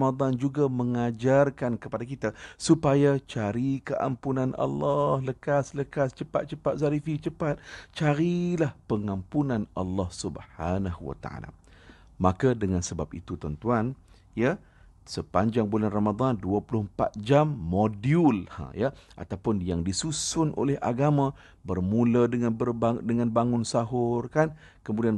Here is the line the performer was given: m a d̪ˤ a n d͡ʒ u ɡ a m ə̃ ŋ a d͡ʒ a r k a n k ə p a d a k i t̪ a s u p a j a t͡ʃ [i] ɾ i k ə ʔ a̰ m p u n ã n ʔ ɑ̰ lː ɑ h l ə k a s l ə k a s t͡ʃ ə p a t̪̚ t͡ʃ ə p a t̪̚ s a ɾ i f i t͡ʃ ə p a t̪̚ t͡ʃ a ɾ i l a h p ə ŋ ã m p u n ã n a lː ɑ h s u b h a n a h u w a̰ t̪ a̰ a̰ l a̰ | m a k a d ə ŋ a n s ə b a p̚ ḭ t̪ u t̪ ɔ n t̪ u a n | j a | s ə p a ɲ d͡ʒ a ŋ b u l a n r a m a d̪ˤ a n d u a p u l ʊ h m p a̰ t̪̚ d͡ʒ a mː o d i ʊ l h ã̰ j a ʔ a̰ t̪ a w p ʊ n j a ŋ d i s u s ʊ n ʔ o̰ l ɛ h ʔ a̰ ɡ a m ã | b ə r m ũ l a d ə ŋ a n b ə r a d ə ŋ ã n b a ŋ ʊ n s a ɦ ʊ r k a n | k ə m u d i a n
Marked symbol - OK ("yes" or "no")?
no